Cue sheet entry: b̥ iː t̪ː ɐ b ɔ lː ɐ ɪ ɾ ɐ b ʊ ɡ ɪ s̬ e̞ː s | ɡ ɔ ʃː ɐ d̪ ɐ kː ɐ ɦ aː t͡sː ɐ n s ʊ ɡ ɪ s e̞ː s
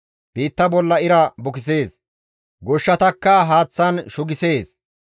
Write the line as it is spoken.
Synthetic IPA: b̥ iː t̪ː ɐ b ɔ lː ɐ ɪ ɾ ɐ b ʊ k ɪ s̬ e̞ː s | ɡ ɔ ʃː ɐ t̪ ɐ kː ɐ ɦ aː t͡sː ɐ n ʃ ʊ ɡ ɪ s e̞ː s